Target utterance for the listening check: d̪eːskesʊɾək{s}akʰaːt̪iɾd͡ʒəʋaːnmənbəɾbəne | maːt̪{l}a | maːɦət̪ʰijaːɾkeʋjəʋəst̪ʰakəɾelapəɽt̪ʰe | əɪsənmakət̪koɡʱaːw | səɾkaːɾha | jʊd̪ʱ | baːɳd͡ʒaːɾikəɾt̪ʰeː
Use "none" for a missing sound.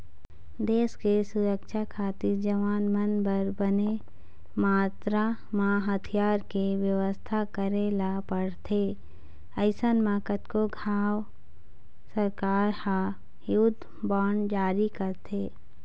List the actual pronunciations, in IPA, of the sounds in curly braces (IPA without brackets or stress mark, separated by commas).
ʃ, ɾ